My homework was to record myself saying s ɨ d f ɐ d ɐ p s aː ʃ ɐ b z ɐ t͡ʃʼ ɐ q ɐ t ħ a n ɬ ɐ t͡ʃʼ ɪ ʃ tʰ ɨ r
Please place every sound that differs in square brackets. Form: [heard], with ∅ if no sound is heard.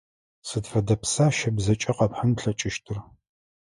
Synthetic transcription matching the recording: s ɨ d f ɐ d ɐ p s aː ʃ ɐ b z ɐ t͡ʃʼ ɐ q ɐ [p] ħ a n ɬ ɐ t͡ʃʼ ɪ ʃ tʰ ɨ r